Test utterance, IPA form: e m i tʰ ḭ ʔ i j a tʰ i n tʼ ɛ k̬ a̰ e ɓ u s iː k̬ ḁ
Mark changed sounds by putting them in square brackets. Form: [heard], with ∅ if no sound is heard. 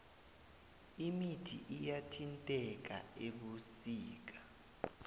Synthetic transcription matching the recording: [i] m i tʰ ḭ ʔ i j a tʰ i n tʼ ɛ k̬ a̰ e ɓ u s iː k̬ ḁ